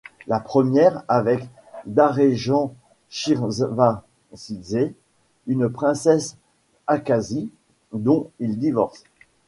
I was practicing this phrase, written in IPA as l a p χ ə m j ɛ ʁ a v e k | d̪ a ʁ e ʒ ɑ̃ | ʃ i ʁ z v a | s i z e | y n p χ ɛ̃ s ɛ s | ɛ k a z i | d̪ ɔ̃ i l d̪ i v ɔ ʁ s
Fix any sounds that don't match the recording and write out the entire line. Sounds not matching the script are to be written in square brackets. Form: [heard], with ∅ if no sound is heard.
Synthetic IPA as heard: l a p χ ə m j ɛ ʁ a v [ɛ] k | d̪ a ʁ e ʒ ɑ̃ | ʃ i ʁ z v a | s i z e | y n p χ ɛ̃ s ɛ s | [a] k a z i | d̪ ɔ̃ i l d̪ i v ɔ ʁ s